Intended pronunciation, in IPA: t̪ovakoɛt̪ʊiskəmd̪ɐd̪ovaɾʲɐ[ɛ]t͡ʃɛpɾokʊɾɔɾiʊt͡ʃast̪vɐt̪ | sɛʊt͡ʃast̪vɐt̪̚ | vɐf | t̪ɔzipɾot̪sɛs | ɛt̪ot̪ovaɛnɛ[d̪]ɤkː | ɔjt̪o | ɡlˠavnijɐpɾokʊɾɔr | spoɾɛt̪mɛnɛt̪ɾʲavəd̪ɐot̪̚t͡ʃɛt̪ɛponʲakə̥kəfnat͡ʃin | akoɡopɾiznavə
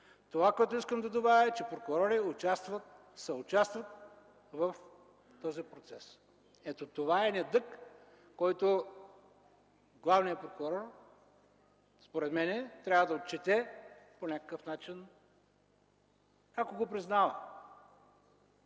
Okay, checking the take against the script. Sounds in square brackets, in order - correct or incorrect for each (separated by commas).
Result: correct, correct